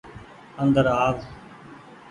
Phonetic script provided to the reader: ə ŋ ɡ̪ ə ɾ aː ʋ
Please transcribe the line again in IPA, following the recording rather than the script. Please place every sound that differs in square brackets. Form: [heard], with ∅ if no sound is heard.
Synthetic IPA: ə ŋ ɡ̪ ə ɾ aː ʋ